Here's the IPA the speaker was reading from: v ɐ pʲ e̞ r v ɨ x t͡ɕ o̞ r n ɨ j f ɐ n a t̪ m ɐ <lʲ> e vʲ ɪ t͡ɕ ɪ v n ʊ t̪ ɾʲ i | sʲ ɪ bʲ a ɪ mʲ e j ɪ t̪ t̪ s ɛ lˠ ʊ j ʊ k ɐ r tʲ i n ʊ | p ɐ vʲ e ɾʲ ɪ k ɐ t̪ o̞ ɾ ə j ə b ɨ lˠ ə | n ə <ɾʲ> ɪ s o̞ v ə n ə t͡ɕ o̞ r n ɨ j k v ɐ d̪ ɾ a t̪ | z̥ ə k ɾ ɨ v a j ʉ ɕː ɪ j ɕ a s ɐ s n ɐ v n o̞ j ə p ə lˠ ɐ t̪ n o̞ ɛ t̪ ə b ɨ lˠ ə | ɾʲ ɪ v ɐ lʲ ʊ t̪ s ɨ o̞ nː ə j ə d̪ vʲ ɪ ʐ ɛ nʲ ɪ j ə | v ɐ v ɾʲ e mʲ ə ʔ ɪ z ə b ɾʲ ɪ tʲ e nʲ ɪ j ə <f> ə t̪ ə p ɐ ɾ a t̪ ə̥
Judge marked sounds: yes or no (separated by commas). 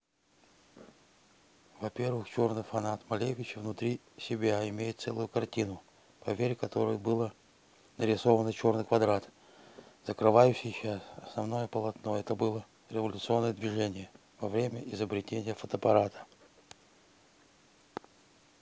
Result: yes, yes, yes